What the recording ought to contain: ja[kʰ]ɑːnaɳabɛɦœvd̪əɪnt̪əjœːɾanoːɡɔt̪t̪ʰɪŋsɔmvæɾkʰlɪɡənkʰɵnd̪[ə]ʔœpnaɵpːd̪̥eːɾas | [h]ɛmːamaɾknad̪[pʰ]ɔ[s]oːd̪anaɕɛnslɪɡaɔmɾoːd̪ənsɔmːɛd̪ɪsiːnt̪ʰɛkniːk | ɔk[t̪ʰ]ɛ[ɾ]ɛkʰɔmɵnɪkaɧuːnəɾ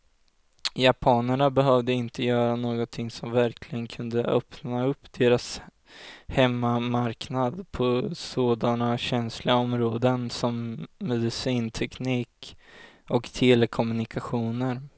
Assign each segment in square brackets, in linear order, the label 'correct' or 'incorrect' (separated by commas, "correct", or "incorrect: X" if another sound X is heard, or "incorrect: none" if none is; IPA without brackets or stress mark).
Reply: incorrect: pʰ, correct, correct, correct, correct, correct, incorrect: l